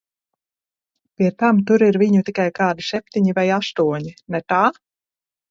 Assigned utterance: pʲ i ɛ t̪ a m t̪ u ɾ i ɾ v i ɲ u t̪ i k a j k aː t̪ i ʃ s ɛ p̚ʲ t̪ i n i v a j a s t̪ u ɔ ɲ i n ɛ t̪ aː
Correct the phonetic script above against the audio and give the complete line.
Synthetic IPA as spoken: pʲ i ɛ t̪ a m t̪ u ɾ i ɾ v i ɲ u t̪ i k a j k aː d̪ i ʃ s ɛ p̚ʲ t̪ i ɲ i v a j a s t̪ u ɔ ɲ i n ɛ t̪ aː